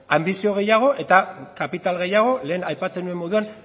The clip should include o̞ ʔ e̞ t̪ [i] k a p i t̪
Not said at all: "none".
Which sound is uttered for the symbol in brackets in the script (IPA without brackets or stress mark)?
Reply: a